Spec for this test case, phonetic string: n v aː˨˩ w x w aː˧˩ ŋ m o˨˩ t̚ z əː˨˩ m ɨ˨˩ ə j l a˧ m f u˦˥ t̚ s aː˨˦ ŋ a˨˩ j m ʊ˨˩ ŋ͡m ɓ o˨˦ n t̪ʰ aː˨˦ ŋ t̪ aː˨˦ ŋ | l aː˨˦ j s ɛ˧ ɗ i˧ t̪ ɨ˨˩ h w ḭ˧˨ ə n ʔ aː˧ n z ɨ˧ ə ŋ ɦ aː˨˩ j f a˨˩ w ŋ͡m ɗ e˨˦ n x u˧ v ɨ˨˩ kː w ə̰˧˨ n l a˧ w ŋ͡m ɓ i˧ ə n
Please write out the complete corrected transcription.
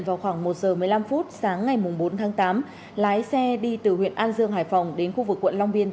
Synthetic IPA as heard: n v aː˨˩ w x w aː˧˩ ŋ m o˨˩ t̚ z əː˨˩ m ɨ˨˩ ə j l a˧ m f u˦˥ t̚ s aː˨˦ ŋː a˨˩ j m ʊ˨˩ ŋ͡m ɓ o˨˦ n t̪ʰ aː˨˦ ŋ t̪ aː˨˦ m | l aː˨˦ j s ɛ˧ ɗ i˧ t̪ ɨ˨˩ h w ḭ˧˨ ə n ʔ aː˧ n z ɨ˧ ə ŋ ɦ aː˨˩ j f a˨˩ w ŋ͡m ɗ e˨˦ n x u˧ v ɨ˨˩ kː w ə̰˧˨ n l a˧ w ŋ͡m ɓ i˧ ə n